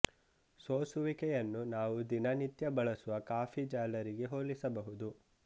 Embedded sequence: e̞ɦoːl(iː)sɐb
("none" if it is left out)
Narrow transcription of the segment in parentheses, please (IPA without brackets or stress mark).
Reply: i